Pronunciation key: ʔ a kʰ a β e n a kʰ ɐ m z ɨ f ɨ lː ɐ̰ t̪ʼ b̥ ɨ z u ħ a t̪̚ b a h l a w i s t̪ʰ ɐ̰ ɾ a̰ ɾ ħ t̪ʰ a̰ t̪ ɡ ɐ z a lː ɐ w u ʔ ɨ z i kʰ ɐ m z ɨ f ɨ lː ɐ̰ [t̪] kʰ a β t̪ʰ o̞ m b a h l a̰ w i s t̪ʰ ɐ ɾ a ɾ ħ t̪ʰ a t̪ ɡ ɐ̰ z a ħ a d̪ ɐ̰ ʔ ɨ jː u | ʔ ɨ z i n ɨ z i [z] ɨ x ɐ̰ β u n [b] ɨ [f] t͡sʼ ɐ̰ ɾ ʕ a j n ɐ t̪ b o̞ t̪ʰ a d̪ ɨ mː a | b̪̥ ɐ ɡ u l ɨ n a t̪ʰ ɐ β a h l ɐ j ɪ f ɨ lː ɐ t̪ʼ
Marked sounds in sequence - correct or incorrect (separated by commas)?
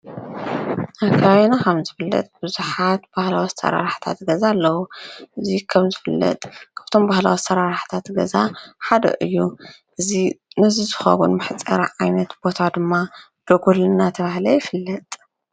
incorrect, correct, incorrect, incorrect